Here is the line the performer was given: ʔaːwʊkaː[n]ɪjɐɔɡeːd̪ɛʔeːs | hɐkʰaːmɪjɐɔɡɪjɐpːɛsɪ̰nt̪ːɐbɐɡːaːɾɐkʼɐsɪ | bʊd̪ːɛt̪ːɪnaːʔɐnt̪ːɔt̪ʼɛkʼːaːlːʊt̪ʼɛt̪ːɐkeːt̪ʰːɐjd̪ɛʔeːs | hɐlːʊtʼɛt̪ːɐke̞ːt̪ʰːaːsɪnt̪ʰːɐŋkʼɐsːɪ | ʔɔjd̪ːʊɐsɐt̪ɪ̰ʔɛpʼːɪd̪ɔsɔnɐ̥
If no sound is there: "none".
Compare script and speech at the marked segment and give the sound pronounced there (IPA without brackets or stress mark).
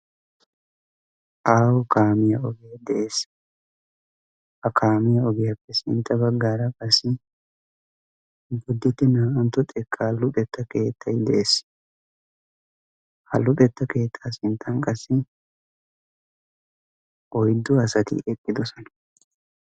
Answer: m